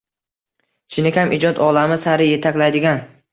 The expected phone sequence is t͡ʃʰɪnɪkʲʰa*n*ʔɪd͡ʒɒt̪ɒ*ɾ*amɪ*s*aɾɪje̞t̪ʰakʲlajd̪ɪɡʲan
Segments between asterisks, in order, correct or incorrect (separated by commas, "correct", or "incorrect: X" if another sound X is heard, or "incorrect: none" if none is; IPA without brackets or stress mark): incorrect: m, incorrect: l, correct